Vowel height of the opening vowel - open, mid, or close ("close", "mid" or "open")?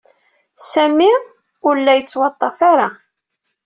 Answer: open